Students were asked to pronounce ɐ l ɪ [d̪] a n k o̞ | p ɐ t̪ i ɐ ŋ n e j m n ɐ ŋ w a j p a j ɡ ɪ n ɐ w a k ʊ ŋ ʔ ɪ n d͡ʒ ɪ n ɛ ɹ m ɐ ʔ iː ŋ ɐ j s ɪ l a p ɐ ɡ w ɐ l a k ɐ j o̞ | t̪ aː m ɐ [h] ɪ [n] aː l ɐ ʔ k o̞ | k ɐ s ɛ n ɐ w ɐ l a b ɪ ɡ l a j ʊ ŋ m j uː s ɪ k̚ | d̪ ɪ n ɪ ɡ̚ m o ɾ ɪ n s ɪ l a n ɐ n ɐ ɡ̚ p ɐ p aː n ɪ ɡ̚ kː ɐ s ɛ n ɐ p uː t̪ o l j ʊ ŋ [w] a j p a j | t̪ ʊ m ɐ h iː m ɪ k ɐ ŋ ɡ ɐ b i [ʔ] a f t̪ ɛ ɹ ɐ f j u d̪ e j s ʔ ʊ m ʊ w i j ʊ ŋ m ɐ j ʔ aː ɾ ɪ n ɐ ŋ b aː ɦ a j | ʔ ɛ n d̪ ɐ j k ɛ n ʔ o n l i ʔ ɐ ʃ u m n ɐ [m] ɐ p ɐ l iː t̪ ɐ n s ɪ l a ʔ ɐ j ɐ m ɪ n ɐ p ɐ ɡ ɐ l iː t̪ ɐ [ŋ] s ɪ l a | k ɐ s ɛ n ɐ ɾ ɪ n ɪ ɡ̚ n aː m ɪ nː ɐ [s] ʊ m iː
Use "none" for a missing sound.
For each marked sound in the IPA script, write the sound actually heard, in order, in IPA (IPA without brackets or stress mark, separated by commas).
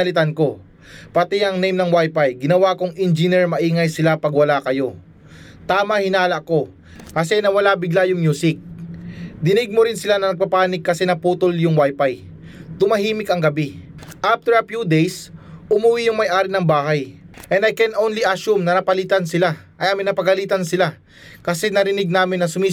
t̪, h, n, w, ʔ, n, n, s